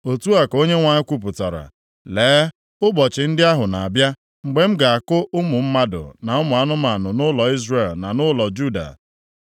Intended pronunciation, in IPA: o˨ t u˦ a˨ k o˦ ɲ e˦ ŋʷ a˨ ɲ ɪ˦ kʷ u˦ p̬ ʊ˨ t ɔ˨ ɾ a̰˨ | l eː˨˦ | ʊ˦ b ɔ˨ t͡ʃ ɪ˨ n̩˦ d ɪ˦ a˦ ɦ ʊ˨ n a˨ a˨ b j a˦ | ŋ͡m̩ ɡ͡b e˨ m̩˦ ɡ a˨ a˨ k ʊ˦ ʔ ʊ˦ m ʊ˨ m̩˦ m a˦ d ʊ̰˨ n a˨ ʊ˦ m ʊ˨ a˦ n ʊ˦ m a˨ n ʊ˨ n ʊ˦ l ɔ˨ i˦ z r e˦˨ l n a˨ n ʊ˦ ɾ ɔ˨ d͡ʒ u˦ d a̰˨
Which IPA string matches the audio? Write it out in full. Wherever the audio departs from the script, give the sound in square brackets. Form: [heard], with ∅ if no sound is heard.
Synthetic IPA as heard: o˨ t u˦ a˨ k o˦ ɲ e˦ ŋʷ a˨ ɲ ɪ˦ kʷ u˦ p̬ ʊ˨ t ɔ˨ ɾ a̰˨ | l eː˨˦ | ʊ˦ b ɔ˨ t͡ʃ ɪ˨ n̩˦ d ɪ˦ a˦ ɦ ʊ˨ n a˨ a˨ b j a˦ | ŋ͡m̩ ɡ͡b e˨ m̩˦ ɡ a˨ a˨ k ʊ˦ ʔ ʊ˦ m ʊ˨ m̩˦ m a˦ d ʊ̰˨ n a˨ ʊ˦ m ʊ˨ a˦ n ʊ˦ m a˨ n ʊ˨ n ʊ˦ l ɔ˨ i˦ z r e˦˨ l n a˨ n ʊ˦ [l] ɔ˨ d͡ʒ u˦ d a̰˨